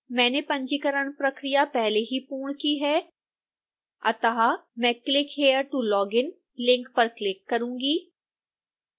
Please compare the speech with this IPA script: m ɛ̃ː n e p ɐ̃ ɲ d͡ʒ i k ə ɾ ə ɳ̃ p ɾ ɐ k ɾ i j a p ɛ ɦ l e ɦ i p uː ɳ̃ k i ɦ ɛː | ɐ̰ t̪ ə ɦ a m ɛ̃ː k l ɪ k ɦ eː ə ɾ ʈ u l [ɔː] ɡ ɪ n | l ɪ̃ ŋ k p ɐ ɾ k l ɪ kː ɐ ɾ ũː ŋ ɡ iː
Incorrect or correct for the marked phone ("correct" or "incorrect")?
correct